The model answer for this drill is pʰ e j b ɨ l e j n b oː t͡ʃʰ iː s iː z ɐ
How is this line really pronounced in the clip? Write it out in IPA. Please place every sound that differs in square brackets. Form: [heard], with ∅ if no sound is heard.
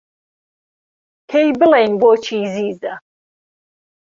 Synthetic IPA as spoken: [kʰ] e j b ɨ l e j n b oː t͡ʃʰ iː [z] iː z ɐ